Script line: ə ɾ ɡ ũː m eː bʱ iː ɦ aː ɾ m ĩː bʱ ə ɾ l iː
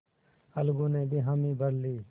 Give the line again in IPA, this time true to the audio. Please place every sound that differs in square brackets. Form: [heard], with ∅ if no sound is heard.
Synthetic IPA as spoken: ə [l] ɡ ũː [n] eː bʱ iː ɦ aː [∅] m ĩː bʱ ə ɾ l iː